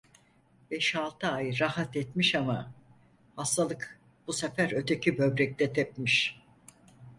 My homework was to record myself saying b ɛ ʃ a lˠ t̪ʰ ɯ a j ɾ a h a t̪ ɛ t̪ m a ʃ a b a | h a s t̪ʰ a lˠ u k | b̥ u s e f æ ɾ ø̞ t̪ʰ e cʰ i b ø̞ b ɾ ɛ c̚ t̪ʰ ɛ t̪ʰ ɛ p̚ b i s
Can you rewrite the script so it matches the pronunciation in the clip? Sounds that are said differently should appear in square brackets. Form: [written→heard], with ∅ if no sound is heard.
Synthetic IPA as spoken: b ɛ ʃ a lˠ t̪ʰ ɯ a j ɾ a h a t̪ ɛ t̪ m [a→i] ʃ a [b→m] a | h a s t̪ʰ a lˠ [u→ɯ] k | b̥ u s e f æ ɾ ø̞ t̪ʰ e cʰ i b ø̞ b ɾ ɛ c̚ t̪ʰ ɛ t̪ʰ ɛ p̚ [b→m] i [s→ʃ]